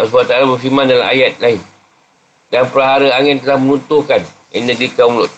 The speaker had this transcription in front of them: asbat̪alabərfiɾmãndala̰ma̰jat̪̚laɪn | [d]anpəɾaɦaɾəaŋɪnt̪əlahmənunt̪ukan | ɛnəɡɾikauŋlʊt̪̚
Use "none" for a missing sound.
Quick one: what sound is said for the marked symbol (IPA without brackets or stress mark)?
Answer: d